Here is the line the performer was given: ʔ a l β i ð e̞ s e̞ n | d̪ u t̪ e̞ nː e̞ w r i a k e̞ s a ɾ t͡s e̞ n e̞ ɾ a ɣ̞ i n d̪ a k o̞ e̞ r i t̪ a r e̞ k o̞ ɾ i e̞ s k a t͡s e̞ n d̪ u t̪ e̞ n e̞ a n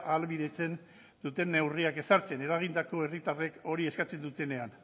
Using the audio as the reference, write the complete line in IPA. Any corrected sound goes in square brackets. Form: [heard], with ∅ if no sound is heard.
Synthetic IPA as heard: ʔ a l β i ð e̞ [t͡s] e̞ n | d̪ u t̪ e̞ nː e̞ w r i a k e̞ s a ɾ t͡s e̞ n e̞ ɾ a ɣ̞ i n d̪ a k o̞ e̞ r i t̪ a r e̞ k o̞ ɾ i e̞ s k a t͡s e̞ n d̪ u t̪ e̞ n e̞ a n